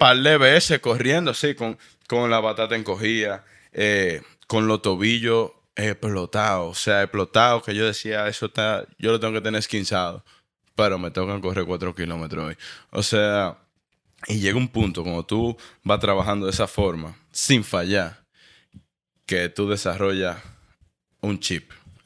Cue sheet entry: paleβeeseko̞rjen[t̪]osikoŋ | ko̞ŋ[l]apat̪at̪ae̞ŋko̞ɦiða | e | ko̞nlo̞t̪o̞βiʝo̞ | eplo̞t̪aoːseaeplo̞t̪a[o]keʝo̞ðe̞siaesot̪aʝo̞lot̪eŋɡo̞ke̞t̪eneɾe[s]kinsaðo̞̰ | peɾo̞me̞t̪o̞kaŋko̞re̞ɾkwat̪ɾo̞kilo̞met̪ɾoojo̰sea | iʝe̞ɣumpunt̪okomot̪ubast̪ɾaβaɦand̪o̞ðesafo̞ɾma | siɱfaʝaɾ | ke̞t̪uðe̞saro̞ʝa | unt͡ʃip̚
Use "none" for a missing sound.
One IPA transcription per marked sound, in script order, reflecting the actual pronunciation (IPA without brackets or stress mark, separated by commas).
d̪, l, o, s